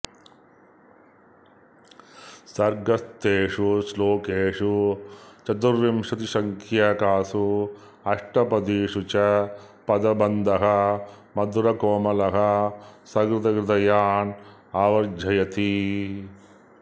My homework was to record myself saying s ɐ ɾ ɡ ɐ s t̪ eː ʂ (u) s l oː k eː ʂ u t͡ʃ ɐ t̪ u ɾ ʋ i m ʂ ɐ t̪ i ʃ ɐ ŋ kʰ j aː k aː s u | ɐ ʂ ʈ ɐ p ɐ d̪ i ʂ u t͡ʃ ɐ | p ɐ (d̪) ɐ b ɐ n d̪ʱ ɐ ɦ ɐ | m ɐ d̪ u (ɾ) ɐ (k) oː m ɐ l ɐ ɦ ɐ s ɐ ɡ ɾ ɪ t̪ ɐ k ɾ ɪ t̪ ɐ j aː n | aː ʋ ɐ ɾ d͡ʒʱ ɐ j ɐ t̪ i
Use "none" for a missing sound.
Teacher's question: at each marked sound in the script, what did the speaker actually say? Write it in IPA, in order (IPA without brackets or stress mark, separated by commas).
u, d̪, ɾ, k